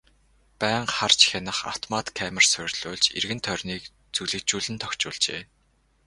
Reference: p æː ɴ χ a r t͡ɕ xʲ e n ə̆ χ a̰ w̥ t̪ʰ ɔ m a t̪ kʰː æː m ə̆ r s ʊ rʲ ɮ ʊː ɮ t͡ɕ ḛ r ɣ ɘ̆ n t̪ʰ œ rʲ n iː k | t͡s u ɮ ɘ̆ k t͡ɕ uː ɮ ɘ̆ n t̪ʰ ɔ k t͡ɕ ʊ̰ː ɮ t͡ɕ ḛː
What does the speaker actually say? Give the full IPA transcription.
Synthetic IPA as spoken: p æː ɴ χ a r t͡ɕ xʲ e n ə̆ χ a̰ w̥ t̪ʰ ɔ m a t̪ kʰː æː m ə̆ r s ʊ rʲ ɮ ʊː ɮ t͡ɕ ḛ r ɣ ɘ̆ n t̪ʰ œ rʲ n iː k | t͡s u ɮ ɘ̆ k t͡ɕ uː ɮ ɘ̆ n t̪ʰ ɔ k t͡ɕ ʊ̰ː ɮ t͡ɕ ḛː